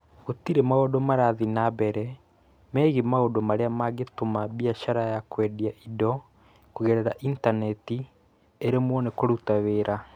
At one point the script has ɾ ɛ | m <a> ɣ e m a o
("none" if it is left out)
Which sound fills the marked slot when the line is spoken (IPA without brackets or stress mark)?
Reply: ɛ